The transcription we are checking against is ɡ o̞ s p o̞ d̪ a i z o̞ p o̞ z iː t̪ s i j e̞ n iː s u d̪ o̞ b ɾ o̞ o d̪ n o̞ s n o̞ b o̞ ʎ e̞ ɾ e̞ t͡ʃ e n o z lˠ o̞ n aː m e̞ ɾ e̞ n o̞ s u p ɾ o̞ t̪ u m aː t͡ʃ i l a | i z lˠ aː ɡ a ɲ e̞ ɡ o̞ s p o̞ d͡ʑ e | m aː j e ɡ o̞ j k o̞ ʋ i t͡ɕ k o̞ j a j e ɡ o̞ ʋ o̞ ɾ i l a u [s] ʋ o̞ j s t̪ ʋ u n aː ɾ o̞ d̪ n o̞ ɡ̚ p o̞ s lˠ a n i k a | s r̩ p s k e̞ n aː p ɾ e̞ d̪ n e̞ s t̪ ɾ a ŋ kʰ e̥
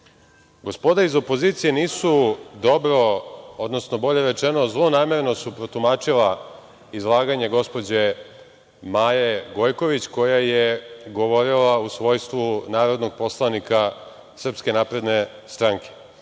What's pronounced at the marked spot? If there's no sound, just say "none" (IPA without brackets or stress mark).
s